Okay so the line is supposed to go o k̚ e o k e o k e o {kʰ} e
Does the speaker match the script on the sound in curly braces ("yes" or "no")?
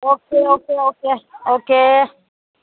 no